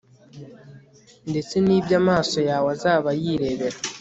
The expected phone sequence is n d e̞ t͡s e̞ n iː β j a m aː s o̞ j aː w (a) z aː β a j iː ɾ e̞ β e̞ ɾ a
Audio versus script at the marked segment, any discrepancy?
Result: no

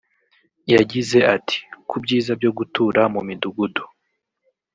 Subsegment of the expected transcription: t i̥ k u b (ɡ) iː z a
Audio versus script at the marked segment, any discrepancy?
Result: yes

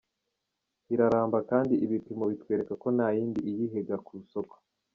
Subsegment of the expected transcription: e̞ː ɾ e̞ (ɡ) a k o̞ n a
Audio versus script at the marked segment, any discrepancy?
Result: yes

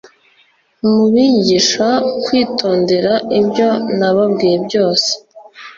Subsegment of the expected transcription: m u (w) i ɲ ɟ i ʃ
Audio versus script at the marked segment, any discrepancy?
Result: yes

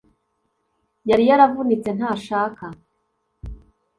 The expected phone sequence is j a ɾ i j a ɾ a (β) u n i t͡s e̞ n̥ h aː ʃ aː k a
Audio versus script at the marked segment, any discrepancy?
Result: yes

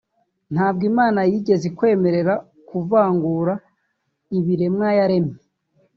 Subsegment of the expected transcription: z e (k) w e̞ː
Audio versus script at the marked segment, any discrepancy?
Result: no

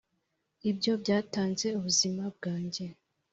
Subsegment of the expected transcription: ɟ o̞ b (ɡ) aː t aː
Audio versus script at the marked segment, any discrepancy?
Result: yes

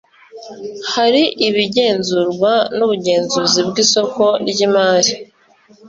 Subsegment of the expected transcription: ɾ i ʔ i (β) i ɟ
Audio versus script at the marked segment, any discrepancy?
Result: no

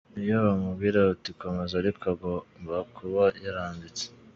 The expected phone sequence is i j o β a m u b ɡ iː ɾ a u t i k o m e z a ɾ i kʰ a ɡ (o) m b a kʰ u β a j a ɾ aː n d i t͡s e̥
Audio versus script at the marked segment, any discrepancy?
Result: no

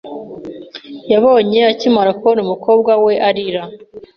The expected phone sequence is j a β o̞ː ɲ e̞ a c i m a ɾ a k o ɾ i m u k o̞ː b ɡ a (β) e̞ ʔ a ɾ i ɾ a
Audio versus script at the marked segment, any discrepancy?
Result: yes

